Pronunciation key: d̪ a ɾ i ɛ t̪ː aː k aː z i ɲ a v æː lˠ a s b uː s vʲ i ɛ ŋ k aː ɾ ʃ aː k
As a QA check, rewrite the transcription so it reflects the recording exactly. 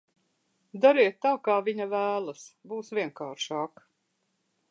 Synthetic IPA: d̪ a ɾ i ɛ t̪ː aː k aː v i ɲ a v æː lˠ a s b uː s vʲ i ɛ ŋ k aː ɾ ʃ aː k